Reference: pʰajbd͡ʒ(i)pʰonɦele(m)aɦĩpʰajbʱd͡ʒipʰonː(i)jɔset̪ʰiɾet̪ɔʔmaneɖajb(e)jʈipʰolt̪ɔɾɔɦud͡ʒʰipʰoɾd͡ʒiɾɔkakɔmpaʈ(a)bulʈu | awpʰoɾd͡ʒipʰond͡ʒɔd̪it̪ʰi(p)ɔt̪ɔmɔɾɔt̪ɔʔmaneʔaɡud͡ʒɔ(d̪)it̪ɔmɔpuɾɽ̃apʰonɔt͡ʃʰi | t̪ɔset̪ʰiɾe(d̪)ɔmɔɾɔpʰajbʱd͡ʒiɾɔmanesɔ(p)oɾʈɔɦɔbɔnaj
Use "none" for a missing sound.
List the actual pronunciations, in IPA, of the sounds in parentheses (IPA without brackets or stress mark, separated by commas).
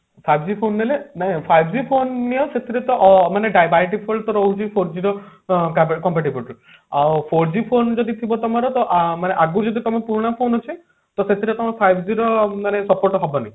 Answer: i, n, i, a, i, b, d̪, t̪, p